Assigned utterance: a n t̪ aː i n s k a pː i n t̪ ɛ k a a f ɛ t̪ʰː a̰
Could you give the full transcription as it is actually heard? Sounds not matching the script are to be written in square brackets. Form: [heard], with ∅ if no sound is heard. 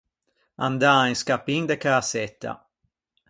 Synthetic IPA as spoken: a n [d̪] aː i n s k a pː i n [d̪] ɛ k a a [s] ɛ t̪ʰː a̰